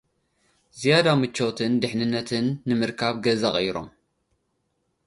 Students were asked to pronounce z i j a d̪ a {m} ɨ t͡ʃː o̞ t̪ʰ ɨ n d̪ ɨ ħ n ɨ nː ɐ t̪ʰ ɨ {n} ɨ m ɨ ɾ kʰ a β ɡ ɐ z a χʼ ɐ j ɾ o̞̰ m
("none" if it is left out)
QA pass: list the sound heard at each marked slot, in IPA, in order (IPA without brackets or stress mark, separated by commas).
m, nː